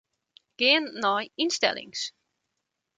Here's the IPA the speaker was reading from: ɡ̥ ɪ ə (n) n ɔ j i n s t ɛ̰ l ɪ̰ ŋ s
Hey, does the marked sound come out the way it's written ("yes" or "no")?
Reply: yes